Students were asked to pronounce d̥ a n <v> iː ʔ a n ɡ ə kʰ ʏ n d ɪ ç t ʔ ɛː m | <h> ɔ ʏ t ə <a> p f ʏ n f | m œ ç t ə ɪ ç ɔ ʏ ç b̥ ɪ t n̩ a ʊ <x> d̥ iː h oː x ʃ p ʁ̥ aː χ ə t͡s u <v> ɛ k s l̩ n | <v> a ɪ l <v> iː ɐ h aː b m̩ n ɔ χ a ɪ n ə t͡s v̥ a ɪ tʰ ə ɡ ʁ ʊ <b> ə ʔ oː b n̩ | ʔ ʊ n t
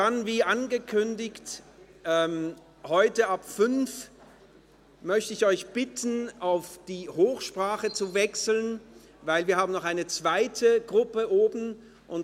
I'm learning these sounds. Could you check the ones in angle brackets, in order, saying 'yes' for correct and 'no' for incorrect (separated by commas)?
yes, yes, yes, no, yes, yes, yes, no